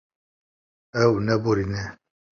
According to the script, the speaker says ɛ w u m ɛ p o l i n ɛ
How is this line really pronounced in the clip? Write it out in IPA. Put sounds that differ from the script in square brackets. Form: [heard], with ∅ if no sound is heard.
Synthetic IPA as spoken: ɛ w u [n] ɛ [b] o [ɾ] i n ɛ